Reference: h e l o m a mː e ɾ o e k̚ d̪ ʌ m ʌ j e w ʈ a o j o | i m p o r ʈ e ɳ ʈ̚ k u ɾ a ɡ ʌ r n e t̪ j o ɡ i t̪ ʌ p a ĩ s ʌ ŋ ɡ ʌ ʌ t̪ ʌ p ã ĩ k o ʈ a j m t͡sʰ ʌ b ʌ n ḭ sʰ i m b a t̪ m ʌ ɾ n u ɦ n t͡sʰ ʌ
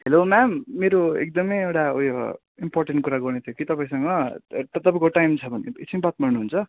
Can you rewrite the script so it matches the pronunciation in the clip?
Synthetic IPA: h e l o m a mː e ɾ o e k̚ d̪ ʌ m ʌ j e w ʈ a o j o | i m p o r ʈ e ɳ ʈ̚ k u ɾ a ɡ ʌ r n e t̪ʰ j o k i t̪ ʌ p a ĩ s ʌ ŋ ɡ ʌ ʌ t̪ ʌ p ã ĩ k o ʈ a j m t͡sʰ ʌ b ʌ n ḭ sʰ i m b a t̪ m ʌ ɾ n u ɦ n t͡sʰ ʌ